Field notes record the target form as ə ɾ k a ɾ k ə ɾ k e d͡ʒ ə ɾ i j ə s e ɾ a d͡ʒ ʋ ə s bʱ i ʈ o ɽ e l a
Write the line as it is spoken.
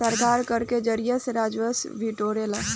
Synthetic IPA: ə ɾ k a ɾ k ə ɾ k e d͡ʒ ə ɾ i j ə s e ɾ a d͡ʒ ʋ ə s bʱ i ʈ o ɾ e l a

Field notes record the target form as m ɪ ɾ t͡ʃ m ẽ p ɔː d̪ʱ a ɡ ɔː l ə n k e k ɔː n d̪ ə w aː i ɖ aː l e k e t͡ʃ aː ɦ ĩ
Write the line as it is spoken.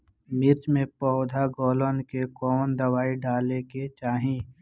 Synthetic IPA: m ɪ ɾ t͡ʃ m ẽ p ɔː d̪ʱ a ɡ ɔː l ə n k e k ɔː n d̪ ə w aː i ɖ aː l e k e t͡ʃ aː ɦ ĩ

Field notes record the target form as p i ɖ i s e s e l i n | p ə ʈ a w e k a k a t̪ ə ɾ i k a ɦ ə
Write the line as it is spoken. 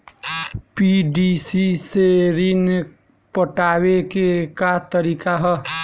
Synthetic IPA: p i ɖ i s i s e ɾ i n | p ə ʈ a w e k e k a t̪ ə ɾ i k a ɦ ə

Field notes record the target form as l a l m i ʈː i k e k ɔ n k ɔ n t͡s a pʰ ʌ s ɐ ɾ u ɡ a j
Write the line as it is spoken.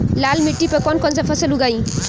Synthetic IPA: l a l m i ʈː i p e k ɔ n k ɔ n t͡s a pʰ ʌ s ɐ l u ɡ a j

